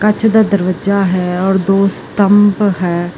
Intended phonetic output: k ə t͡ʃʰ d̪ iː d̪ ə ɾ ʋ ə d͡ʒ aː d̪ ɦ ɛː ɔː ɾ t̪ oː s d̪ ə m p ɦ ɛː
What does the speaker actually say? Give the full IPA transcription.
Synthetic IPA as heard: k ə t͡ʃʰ d̪ aː d̪ ə ɾ ʋ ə d͡ʒ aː ɦ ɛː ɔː ɾ d̪ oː s t̪ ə m p ɦ ɛː